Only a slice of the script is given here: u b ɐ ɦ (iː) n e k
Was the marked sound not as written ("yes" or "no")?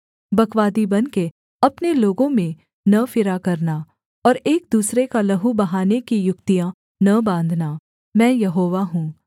yes